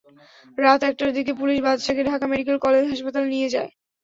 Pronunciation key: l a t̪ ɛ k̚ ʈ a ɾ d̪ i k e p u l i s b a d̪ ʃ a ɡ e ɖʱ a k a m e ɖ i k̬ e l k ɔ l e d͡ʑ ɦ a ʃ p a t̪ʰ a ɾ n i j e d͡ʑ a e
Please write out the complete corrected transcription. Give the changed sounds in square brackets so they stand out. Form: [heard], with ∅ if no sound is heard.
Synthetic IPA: [ɾ] a t̪ ɛ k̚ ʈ a ɾ d̪ i k e p u l i [ʃ] b a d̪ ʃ a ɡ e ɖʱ a k a m e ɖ i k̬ e l k ɔ l e d͡ʑ ɦ a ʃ p a [t̪] a [l] n i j e d͡ʑ a e